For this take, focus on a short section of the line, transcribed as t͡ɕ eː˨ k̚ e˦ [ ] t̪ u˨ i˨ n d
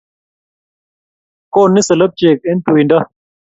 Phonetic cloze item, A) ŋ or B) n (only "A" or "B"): B